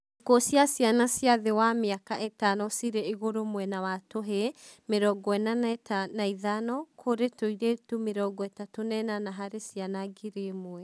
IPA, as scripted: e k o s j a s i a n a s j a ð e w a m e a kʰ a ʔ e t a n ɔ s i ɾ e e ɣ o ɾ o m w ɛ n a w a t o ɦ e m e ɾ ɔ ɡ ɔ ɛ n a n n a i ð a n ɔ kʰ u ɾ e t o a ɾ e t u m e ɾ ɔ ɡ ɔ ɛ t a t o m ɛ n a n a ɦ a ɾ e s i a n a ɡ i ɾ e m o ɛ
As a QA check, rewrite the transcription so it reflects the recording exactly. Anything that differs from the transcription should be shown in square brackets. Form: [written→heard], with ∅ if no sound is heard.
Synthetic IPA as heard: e k o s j a s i a n a s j a ð e w a m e a [kʰ→k] a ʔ e t a n ɔ s i ɾ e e ɣ o ɾ o m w ɛ n a w a t o ɦ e m e ɾ ɔ ɡ ɔ ɛ n a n n a i ð a n ɔ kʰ [u→o] ɾ e t o [a→i] ɾ e t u m e ɾ ɔ ɡ ɔ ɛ t a t o [m→n] ɛ n a n a ɦ a ɾ e s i a n a ɡ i ɾ e m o ɛ